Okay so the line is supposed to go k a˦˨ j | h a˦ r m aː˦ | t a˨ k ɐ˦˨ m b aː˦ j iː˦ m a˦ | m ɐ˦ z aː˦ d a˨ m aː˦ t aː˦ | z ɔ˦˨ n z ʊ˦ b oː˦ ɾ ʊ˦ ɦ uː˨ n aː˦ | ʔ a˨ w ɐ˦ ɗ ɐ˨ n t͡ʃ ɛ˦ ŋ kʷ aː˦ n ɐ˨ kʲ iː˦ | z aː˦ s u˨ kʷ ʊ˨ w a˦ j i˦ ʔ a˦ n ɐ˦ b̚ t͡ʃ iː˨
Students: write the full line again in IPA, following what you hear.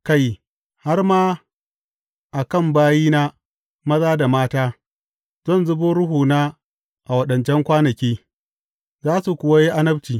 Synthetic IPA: k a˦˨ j | h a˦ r m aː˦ | ʔ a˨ k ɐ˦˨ m b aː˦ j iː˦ n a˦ | m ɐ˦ z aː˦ d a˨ m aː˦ t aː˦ | z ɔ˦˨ n z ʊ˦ b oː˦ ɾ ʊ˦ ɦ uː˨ n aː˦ | ʔ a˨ w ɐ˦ ɗ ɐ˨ n t͡ʃ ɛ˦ ŋ kʷ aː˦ n ɐ˨ kʲ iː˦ | z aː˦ s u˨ kʷ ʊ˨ w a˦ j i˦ ʔ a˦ n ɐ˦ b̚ t͡ʃ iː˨